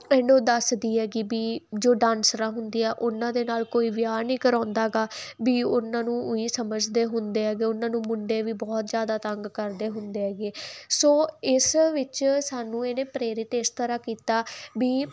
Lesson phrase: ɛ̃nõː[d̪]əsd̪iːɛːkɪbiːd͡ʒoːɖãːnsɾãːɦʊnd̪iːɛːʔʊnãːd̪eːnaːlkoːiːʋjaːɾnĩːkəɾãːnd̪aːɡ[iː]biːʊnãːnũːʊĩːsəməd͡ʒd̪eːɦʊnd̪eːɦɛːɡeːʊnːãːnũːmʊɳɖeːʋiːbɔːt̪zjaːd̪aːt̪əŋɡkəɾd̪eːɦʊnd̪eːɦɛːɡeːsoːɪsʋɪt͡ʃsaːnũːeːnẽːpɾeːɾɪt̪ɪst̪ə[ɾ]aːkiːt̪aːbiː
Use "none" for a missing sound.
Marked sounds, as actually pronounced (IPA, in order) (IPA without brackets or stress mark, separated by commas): d̪, aː, ɾ